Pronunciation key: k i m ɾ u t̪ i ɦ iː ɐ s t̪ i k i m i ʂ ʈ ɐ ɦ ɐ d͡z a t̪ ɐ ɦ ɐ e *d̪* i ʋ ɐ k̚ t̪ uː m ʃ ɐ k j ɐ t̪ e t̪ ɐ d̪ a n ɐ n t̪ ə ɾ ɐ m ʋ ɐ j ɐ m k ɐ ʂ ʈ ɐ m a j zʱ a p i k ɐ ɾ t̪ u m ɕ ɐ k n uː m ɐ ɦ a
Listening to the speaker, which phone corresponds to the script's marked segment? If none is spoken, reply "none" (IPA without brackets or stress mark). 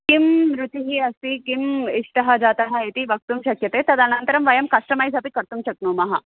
t̪